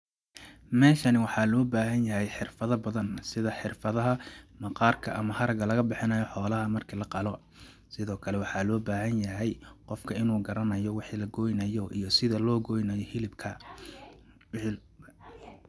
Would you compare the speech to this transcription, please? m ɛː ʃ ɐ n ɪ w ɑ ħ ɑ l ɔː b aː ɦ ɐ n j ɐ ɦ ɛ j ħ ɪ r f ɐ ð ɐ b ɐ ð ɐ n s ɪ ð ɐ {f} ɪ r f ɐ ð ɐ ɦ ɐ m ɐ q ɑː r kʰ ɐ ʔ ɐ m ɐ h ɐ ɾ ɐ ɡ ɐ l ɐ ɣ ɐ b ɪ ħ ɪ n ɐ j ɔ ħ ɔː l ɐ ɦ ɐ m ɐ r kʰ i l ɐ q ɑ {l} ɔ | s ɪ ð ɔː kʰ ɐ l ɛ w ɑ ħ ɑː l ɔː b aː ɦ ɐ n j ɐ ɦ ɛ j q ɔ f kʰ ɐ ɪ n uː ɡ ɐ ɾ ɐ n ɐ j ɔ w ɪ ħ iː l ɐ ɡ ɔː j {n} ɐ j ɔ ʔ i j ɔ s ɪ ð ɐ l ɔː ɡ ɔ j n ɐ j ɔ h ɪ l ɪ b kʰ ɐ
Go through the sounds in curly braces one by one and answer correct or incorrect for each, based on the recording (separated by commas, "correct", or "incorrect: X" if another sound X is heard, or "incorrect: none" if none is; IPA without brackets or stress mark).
incorrect: ħ, correct, correct